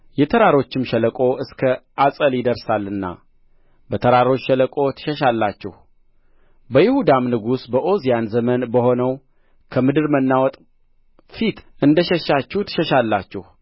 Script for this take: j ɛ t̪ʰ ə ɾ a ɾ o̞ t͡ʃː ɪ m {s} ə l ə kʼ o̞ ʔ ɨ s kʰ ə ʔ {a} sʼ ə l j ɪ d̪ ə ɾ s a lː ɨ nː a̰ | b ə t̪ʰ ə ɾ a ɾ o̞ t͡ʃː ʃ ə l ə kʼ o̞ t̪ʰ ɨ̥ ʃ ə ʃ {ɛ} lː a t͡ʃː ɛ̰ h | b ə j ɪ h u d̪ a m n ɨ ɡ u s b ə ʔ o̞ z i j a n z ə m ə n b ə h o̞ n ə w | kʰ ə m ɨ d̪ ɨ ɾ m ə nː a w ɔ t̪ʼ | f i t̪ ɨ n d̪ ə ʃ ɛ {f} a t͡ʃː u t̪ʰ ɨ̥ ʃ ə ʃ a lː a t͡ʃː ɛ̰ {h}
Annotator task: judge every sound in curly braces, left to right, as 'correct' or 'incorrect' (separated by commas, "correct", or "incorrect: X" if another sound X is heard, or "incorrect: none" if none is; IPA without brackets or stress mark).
incorrect: ʃ, correct, incorrect: a, incorrect: ʃ, correct